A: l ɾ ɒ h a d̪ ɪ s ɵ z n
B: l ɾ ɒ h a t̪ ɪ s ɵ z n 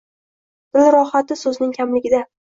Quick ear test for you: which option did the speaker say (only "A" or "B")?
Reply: B